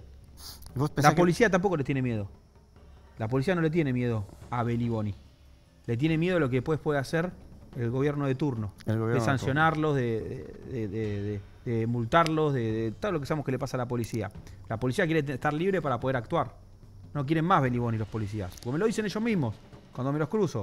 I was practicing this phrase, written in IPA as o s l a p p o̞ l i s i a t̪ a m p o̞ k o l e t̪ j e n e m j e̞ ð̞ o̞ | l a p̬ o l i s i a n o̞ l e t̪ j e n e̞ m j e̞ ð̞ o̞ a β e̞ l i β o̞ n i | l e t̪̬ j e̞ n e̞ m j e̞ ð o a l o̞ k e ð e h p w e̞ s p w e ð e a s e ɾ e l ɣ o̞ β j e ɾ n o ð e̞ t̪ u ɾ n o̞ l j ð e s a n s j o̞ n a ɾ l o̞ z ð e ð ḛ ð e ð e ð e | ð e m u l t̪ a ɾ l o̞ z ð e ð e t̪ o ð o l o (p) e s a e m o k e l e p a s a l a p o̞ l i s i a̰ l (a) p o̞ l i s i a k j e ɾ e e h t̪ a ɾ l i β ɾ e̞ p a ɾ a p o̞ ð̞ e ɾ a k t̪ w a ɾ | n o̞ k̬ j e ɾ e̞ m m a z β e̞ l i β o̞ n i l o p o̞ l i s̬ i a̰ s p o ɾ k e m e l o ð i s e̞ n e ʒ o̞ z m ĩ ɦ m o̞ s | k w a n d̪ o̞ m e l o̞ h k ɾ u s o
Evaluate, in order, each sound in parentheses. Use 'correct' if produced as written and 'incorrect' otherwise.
incorrect: k, correct

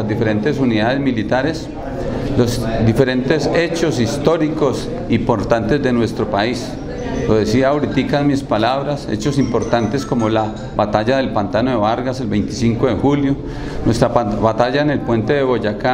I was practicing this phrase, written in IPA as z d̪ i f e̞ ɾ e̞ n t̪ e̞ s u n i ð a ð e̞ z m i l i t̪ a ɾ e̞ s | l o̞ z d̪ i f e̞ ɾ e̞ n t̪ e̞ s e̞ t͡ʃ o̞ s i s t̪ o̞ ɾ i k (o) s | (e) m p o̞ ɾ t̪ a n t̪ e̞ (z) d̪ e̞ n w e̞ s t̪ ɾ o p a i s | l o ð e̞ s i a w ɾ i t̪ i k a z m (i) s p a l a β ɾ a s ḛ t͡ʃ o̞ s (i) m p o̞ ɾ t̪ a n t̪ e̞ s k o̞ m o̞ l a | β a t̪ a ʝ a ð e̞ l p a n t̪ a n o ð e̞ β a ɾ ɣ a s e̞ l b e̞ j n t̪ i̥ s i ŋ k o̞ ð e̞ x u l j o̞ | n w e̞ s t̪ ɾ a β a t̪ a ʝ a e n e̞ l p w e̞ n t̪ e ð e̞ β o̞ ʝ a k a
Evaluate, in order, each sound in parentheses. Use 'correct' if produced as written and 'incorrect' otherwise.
correct, incorrect: i, correct, correct, correct

